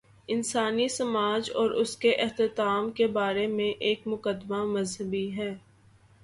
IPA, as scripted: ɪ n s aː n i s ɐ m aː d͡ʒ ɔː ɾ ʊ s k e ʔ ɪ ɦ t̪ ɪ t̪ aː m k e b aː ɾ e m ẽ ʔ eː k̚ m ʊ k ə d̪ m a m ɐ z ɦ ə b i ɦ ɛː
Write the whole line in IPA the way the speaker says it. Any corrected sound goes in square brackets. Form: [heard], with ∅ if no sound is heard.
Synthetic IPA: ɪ n s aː n i s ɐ m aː d͡ʒ ɔː ɾ ʊ s k e ʔ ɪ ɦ t̪ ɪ t̪ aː m k e b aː ɾ e m ẽ ʔ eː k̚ m ʊ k ə d̪ m a m ɐ z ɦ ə b i ɦ ɛː